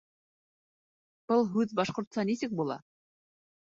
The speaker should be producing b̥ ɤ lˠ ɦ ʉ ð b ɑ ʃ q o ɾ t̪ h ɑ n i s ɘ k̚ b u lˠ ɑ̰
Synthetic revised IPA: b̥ ɤ lˠ ɦ ʉ ð b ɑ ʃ q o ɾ t̪ s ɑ n i s ɘ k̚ b u lˠ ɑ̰